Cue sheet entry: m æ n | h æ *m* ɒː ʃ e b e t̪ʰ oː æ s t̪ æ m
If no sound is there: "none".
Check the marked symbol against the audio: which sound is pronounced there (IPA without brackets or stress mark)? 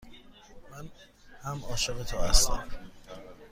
m